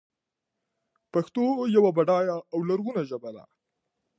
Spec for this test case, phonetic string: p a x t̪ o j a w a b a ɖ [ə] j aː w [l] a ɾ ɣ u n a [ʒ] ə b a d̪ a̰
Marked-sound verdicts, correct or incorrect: incorrect, correct, correct

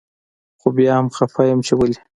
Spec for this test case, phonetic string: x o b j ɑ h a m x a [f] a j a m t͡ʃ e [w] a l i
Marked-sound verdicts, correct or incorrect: correct, correct

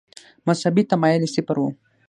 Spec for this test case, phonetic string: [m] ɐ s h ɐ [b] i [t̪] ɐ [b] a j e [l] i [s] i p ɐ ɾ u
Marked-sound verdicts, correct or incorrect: correct, correct, correct, incorrect, correct, correct

